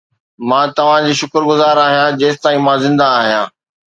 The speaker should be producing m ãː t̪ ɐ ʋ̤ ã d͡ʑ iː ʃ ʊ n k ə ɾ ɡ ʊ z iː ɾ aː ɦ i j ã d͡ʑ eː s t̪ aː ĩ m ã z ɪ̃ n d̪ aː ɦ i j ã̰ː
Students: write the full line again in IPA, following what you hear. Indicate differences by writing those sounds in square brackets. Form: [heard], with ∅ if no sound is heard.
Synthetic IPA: m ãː t̪ ɐ ʋ̤ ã d͡ʑ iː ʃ ʊ [∅] k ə ɾ ɡ ʊ z [aː] ɾ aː ɦ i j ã d͡ʑ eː s t̪ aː ĩ m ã z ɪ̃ n d̪ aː ɦ i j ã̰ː